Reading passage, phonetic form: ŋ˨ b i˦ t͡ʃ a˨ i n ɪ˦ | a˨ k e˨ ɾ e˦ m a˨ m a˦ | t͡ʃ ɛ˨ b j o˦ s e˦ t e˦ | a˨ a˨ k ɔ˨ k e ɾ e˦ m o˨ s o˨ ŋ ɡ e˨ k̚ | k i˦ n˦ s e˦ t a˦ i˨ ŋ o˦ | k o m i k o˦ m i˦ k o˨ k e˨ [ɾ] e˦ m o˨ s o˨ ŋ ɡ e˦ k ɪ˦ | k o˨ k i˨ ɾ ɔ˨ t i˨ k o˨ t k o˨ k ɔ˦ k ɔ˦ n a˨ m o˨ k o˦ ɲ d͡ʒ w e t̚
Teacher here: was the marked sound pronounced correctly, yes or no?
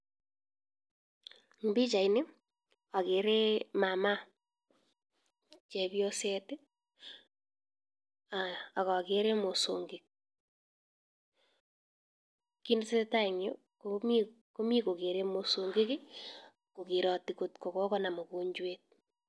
yes